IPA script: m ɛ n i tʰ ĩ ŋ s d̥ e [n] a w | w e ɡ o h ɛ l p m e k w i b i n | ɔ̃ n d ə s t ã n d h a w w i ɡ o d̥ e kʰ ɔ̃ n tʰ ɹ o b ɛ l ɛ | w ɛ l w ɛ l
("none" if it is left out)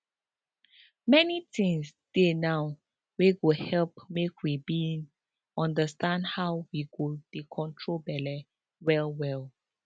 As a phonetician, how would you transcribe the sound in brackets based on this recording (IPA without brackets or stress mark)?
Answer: n